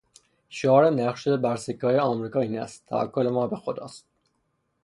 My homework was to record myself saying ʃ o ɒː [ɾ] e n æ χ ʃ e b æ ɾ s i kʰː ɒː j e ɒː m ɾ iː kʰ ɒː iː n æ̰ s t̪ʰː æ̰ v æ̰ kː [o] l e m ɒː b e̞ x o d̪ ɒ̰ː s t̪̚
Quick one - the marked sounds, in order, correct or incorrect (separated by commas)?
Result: correct, correct